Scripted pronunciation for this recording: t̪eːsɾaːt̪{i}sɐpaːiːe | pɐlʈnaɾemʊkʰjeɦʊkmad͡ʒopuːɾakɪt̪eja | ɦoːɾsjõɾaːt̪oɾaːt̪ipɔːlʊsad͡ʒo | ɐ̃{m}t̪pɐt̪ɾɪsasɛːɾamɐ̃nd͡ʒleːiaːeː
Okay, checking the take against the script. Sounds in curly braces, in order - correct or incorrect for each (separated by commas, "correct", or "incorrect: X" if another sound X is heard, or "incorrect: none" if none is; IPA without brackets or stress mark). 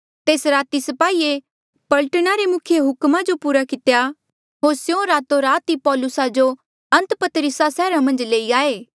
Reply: correct, incorrect: n